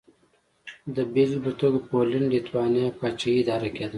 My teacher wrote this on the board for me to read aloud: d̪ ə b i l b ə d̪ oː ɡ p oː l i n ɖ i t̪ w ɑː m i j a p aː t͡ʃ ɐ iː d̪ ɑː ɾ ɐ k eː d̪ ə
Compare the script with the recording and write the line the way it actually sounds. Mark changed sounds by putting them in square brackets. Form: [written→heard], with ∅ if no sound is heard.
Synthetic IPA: d̪ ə b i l b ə [d̪→t̪] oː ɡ p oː l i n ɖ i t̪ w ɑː [m→n] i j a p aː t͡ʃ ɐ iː d̪ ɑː ɾ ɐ k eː d̪ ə